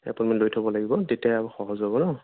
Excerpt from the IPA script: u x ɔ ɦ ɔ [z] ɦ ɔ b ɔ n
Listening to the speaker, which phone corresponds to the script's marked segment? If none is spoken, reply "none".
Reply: z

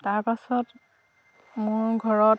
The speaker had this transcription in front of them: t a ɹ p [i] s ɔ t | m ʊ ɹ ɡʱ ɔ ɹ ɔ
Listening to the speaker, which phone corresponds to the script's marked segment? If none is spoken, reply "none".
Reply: a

